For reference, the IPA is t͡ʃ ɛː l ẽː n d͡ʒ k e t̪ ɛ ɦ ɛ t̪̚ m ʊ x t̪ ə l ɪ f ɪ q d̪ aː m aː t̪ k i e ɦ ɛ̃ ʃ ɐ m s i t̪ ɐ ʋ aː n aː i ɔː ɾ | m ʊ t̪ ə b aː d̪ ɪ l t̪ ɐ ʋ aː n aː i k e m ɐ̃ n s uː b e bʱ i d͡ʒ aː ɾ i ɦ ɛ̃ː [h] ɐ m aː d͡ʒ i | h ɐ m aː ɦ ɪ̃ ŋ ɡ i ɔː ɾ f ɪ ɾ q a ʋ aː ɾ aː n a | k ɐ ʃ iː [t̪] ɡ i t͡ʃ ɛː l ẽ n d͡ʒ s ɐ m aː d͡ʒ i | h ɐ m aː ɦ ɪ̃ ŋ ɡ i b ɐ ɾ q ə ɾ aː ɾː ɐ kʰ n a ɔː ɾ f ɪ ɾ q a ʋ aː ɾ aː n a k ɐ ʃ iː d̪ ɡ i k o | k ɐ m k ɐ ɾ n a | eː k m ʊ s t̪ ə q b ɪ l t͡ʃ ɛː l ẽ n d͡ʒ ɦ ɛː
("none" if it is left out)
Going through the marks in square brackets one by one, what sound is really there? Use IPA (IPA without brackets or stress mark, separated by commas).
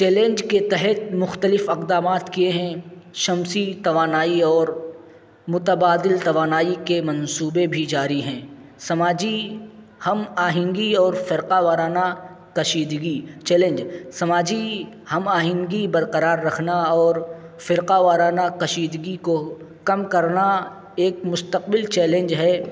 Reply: s, d̪